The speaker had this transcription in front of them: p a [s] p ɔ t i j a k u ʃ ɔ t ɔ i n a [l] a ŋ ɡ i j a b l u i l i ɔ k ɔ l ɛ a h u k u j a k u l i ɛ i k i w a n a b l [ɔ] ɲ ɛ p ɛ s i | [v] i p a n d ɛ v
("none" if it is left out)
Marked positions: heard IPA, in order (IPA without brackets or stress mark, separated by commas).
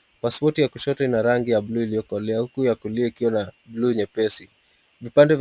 s, ɾ, u, v